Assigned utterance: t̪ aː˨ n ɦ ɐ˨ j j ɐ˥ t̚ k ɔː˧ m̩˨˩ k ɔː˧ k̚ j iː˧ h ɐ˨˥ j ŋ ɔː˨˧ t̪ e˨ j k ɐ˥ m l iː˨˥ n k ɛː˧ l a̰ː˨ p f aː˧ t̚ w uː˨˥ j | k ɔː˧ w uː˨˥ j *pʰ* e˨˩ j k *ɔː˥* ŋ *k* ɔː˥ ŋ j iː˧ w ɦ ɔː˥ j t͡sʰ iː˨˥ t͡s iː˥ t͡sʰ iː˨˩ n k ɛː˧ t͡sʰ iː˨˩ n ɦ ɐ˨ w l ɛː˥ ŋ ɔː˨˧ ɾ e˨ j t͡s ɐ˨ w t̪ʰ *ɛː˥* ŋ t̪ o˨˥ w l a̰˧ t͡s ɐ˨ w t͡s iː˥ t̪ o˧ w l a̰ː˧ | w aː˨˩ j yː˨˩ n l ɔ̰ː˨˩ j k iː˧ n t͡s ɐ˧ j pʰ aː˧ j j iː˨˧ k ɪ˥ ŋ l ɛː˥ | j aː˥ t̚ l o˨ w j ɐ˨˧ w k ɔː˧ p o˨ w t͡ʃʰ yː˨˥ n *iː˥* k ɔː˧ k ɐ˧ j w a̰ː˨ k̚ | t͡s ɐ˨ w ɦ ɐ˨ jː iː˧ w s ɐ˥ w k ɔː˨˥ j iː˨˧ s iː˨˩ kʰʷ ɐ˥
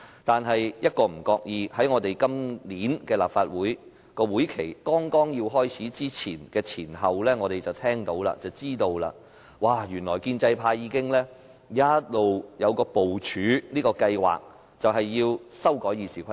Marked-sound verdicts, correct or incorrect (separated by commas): incorrect, correct, correct, correct, correct